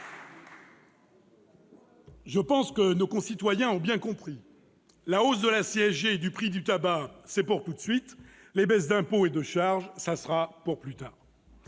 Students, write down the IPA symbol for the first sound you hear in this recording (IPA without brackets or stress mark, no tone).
ʒ